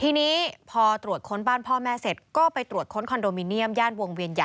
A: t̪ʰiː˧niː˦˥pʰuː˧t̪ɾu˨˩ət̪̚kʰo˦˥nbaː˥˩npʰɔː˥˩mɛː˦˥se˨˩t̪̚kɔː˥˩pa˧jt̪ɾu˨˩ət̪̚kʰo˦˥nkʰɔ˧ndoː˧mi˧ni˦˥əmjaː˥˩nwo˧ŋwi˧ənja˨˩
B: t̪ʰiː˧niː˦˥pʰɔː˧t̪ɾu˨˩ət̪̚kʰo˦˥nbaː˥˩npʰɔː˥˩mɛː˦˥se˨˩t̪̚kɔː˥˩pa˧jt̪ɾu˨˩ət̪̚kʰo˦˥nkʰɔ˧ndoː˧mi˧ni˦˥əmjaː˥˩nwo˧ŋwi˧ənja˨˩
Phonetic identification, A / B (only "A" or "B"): B